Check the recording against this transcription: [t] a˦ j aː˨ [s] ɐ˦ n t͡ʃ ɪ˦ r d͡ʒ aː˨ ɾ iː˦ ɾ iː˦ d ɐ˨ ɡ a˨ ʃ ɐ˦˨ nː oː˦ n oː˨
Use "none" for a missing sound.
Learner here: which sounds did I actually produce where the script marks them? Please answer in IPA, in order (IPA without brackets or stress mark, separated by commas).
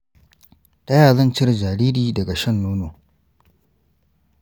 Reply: t, z